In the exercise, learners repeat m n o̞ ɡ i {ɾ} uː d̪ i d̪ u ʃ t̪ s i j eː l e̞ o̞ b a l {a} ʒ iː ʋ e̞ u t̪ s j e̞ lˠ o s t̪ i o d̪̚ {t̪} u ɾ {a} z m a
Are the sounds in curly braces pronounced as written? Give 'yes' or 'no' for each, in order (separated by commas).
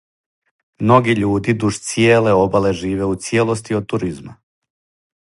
no, no, yes, no